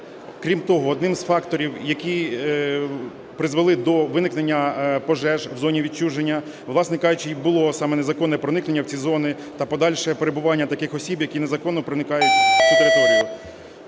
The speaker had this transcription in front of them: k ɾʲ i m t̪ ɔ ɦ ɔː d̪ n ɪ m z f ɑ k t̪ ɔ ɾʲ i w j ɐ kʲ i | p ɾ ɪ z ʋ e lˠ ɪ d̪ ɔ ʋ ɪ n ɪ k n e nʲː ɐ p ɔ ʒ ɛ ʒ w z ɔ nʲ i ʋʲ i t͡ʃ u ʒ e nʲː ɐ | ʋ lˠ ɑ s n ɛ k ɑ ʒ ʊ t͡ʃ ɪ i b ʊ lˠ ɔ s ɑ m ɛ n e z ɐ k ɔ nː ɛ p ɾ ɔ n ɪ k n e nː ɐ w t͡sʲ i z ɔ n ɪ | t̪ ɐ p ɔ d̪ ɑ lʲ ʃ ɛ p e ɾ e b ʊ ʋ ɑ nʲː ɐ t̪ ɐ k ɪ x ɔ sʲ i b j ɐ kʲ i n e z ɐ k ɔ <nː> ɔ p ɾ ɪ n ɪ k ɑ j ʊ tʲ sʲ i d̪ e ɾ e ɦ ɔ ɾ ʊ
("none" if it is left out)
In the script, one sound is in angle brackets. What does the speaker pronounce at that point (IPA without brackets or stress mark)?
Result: nː